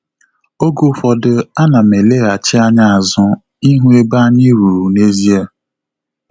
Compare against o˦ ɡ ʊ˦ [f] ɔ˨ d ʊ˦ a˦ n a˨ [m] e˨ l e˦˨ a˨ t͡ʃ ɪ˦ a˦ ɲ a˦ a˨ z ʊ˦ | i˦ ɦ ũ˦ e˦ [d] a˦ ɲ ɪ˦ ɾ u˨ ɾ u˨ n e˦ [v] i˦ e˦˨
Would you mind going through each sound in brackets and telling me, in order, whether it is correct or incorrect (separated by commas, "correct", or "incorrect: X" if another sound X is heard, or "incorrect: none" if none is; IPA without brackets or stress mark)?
correct, correct, incorrect: b, incorrect: z